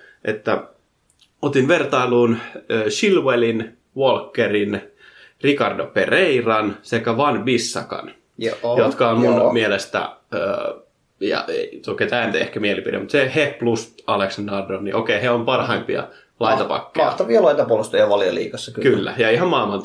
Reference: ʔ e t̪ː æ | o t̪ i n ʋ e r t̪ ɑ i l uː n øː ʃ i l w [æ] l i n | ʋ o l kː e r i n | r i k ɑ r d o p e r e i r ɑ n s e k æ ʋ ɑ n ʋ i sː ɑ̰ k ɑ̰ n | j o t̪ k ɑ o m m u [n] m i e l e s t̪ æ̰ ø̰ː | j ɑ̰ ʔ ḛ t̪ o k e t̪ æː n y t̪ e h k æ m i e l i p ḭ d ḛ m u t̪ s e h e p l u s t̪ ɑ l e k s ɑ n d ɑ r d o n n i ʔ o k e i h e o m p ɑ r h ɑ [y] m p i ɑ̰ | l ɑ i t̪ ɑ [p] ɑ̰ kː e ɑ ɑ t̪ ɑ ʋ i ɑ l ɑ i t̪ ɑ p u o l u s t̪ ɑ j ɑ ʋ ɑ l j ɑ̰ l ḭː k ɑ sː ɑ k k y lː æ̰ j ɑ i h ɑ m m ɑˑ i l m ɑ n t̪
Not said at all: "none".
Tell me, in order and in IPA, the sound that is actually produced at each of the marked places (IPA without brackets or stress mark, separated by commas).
e, n, i, p